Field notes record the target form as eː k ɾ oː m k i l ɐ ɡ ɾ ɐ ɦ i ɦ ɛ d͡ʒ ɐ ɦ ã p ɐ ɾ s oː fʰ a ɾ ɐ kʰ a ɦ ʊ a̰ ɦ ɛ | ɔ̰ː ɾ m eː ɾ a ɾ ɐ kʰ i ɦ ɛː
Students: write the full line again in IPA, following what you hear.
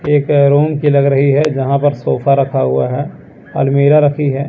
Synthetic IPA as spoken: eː k ɾ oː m k i l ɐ ɡ ɾ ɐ ɦ i ɦ ɛ d͡ʒ ɐ ɦ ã p ɐ ɾ s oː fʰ a ɾ ɐ kʰ a ɦ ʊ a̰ ɦ ɛ | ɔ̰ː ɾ m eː ɾ a ɾ ɐ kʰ i ɦ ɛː

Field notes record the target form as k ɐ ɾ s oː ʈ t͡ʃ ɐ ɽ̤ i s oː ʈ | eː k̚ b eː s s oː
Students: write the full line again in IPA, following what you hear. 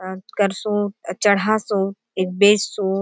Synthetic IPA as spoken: k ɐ ɾ s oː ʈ t͡ʃ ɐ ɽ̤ a s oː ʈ | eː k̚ b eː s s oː

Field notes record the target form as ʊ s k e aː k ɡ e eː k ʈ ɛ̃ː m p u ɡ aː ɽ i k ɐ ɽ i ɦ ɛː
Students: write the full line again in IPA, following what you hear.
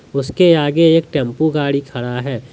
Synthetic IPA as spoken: ʊ s k e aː ɡ e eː k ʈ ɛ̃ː m p u ɡ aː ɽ i kʰ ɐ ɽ a ɦ ɛː

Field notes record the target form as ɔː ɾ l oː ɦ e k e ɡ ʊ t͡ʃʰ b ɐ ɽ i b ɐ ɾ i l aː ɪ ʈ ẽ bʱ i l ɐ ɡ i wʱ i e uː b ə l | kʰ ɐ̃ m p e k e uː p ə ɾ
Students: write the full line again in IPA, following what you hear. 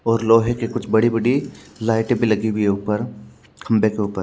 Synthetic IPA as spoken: ɔː ɾ l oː ɦ e k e k ʊ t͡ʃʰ b ɐ ɽ i b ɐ ɽ i l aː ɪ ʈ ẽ bʱ i l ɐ ɡ i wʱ i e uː p ə ɾ | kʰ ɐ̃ m b e k e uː p ə ɾ

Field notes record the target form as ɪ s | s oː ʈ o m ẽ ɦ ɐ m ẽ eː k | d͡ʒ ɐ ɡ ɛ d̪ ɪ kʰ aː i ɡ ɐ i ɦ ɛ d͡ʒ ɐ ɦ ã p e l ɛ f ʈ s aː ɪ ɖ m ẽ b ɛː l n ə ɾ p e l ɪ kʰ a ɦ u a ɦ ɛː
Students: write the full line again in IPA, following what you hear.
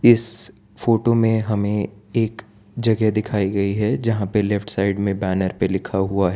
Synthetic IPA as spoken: ɪ s | f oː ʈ o m ẽ ɦ ɐ m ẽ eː k | d͡ʒ ɐ ɡ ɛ d̪ ɪ kʰ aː i ɡ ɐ i ɦ ɛ d͡ʒ ɐ ɦ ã p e l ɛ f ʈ s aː ɪ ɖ m ẽ b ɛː n ə ɾ p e l ɪ kʰ a ɦ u a ɦ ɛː

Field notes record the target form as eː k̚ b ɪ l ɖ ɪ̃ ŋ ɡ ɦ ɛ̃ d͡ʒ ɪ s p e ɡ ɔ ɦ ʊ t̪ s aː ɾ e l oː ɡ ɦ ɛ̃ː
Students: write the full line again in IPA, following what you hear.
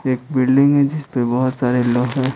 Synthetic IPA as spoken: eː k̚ b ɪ l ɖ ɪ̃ ŋ ɡ ɦ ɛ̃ d͡ʒ ɪ s p e b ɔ ɦ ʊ t̪ s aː ɾ e l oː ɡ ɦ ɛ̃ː

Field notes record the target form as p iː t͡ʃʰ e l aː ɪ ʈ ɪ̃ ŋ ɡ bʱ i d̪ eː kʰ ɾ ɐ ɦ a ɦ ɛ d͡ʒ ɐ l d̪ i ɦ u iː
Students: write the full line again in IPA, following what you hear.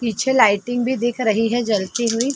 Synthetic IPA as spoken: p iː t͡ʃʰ e l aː ɪ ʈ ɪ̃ ŋ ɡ bʱ i d̪ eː kʰ ɾ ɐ ɦ i ɦ ɛ d͡ʒ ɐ l t̪ i ɦ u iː

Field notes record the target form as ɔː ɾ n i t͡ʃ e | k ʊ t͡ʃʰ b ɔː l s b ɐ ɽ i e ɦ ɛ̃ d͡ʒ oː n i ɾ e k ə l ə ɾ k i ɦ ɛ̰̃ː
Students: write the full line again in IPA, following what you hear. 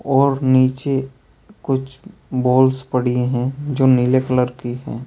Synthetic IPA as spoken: ɔː ɾ n iː t͡ʃ e | k ʊ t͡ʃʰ b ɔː l s p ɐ ɽ i e ɦ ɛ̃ d͡ʒ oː n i l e k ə l ə ɾ k i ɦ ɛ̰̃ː

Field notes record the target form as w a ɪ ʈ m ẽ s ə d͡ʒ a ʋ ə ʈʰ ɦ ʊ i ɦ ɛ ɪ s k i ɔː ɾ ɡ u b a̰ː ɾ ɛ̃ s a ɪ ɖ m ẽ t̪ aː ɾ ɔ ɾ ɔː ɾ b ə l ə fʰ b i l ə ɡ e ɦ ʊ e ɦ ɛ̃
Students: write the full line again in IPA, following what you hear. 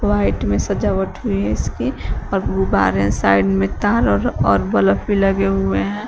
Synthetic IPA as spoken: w a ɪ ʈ m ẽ s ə d͡ʒ a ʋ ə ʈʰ ɦ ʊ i ɦ ɛ ɪ s k i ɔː ɾ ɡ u b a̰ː ɾ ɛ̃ s a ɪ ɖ m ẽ t̪ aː ɾ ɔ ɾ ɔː ɾ b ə l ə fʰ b i l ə ɡ e ɦ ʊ e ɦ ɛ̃

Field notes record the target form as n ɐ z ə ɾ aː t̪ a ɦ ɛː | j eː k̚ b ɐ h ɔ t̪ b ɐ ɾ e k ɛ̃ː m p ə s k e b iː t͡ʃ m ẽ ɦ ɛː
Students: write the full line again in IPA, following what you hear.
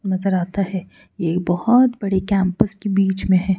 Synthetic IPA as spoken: n ɐ z ə ɾ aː t̪ a ɦ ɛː | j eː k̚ b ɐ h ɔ t̪ b ɐ ɽ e k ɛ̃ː m p ə s k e b iː t͡ʃ m ẽ ɦ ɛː

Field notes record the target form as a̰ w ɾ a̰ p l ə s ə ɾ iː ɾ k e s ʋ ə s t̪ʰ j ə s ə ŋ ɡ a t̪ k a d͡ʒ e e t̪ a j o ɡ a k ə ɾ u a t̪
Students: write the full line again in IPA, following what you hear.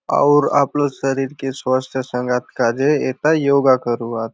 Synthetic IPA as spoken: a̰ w ɾ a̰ p l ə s ə ɾ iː ɾ k e s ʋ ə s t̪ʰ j ə s ə ŋ ɡ a t̪ k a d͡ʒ e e t̪ a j o ɡ a k ə ɾ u a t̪

